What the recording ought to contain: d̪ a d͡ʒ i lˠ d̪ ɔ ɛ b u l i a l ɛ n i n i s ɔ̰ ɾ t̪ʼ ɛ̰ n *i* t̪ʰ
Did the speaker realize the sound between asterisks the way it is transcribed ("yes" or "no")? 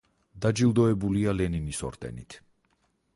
yes